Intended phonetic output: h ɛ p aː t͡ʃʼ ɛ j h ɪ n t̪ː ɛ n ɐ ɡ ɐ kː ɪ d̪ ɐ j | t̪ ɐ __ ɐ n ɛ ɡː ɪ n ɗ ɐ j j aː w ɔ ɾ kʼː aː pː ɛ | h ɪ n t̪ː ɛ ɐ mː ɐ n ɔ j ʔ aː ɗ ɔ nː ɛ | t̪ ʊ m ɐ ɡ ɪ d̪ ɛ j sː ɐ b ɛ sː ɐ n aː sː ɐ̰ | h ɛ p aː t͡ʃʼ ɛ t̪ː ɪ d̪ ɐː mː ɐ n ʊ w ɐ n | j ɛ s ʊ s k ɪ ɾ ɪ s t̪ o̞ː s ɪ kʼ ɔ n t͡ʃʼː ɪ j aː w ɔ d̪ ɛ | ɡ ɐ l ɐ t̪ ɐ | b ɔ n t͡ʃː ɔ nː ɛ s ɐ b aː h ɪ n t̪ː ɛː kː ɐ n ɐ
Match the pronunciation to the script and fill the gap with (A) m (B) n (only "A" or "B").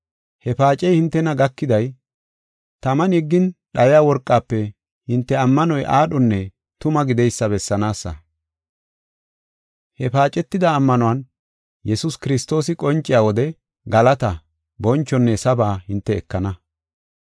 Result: A